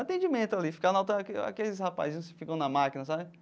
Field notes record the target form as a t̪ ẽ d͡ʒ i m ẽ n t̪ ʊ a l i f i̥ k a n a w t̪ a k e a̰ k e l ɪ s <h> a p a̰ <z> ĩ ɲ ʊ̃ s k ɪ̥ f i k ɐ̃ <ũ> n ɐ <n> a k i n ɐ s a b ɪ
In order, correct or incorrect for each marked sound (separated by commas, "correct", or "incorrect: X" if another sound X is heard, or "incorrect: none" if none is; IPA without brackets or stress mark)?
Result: correct, correct, incorrect: w̃, incorrect: m